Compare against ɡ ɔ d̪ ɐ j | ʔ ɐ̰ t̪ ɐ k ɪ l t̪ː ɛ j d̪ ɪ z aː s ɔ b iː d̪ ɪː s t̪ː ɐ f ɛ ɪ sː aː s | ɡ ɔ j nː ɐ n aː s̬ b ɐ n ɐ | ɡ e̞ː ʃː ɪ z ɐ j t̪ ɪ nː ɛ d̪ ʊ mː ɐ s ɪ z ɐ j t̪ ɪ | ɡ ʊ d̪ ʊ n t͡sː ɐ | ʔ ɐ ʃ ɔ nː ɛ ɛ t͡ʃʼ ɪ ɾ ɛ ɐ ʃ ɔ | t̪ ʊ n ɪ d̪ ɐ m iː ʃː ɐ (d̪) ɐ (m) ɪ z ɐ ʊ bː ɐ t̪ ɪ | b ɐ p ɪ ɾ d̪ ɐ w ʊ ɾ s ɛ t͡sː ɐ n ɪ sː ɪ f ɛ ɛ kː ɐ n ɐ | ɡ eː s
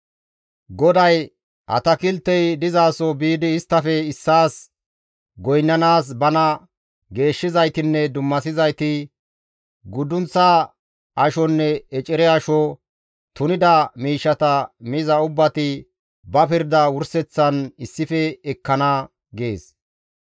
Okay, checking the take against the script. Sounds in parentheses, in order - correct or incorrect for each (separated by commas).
incorrect, correct